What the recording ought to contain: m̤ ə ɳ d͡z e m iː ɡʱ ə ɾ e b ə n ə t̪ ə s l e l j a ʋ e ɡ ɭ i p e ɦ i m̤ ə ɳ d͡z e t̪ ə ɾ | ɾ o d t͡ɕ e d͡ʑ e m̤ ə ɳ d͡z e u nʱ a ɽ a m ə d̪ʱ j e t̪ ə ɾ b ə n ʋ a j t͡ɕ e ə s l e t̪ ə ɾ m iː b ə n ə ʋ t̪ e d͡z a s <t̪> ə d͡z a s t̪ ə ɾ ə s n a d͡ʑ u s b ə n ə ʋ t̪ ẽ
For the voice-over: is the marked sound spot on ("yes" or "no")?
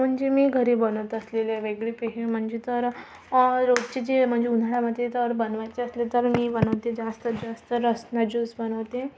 yes